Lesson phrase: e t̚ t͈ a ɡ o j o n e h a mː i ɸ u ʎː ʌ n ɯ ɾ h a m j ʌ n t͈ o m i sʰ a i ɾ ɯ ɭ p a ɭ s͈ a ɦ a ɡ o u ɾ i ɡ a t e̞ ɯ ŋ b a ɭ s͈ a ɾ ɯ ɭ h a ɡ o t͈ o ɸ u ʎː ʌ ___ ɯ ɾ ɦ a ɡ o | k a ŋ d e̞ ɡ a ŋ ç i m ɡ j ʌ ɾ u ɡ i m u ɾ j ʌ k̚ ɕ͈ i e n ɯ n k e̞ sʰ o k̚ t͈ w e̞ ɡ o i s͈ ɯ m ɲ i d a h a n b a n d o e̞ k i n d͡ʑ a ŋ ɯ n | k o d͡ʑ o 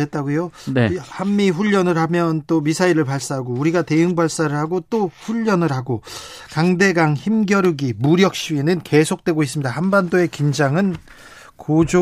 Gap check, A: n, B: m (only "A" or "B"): A